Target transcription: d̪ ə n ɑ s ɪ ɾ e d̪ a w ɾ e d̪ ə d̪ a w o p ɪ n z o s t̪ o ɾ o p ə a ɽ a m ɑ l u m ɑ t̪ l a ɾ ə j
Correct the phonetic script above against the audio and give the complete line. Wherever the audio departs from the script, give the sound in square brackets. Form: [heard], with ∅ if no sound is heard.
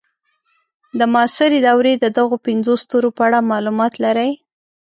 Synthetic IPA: d̪ ə [m] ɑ s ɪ ɾ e d̪ a w ɾ e d̪ ə d̪ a [ɣ] o p ɪ n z o s t̪ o ɾ o p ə a ɽ a m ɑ l u m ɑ t̪ l a ɾ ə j

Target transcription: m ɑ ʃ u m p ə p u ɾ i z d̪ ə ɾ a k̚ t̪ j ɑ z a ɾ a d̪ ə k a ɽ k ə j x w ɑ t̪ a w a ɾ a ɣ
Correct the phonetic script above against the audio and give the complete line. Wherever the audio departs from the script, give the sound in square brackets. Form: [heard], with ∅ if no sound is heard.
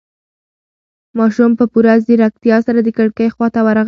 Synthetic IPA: m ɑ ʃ u m p ə p u ɾ [a] z d̪ ə ɾ a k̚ t̪ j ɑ [s] a ɾ a d̪ ə k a ɽ k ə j x w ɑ t̪ a w a ɾ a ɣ

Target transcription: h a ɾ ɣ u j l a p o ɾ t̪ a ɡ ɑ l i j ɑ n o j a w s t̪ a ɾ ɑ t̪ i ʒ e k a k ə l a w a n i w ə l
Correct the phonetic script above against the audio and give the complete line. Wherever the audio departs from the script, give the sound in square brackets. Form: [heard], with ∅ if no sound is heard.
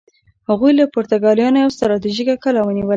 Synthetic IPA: h a [∅] ɣ u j l a p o ɾ t̪ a ɡ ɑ l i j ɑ n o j a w s t̪ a ɾ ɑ t̪ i ʒ [i] k a k ə l a w [ə] n i w ə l

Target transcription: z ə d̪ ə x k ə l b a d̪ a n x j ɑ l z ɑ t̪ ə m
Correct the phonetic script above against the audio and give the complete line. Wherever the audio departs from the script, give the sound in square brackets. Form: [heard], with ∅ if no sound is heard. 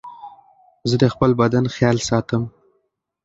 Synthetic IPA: z ə d̪ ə x [p] ə l b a d̪ a n x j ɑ l [s] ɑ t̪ ə m

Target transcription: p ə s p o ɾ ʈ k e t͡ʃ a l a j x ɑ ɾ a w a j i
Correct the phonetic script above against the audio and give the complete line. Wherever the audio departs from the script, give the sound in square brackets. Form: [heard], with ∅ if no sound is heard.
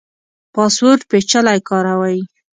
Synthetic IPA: p [ɑ] s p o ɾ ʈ [p] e t͡ʃ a l a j [k] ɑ ɾ a w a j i

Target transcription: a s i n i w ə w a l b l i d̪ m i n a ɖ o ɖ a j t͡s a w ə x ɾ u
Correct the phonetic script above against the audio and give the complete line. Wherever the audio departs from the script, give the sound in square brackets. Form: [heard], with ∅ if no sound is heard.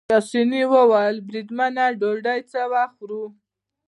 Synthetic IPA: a s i n i w ə w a l b [ɾ] i d̪ m [a] n a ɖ o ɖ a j t͡s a w [a] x ɾ u

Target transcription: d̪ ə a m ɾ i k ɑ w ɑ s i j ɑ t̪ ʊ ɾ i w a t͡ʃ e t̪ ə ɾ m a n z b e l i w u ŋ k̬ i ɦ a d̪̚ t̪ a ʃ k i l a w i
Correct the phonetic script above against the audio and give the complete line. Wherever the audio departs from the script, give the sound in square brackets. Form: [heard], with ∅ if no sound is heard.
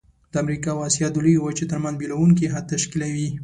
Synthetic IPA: d̪ ə a m ɾ i k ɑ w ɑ s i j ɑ [d̪] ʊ [l] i w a t͡ʃ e t̪ ə ɾ m a n z b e l [a] w u ŋ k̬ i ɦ a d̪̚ t̪ a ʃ k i l a w i

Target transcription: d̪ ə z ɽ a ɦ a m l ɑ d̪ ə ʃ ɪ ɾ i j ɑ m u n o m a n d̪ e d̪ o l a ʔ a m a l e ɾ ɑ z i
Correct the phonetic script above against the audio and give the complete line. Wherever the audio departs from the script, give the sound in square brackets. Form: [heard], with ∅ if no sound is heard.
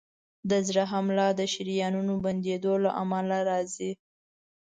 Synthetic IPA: d̪ ə z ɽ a ɦ a m l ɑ d̪ ə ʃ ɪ ɾ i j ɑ [n] u n o [b] a n d̪ e d̪ o l a ʔ a m a l [a] ɾ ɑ z i

